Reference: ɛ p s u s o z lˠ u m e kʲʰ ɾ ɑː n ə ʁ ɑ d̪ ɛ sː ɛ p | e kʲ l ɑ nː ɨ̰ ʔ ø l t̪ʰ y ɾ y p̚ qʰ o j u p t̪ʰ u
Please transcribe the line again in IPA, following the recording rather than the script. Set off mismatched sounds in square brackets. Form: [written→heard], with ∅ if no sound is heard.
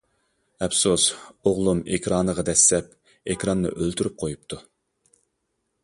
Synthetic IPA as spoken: ɛ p s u s o [z→ʁ] lˠ u m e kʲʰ ɾ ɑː n ə ʁ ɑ d̪ ɛ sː ɛ p | e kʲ [l→ɾ] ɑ nː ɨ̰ ʔ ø l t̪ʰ y ɾ y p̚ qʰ o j u p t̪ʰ u